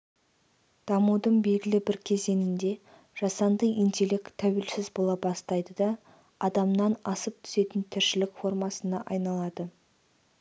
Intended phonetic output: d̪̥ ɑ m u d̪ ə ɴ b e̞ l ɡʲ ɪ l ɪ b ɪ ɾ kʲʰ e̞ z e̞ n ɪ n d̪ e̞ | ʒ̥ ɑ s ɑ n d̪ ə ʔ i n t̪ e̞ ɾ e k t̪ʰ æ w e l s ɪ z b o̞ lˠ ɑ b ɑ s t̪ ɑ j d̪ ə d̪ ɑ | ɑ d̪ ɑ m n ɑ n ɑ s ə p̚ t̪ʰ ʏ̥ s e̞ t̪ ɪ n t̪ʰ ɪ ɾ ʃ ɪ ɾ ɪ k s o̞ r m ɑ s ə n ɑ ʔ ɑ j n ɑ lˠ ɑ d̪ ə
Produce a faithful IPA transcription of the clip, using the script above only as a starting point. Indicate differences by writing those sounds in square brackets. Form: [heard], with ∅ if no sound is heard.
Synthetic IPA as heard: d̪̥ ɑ m u d̪ ə ɴ b e̞ l ɡʲ ɪ l ɪ b ɪ ɾ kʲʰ e̞ z e̞ n ɪ n d̪ e̞ | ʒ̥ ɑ s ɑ n d̪ ə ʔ i n t̪ e̞ [l] e k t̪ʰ æ w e l s ɪ z b o̞ lˠ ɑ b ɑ s t̪ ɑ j d̪ ə d̪ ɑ | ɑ d̪ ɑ m n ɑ n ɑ s ə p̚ t̪ʰ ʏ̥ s e̞ t̪ ɪ n t̪ʰ ɪ ɾ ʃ ɪ [l] ɪ k [f] o̞ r m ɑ s ə n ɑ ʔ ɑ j n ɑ lˠ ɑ d̪ ə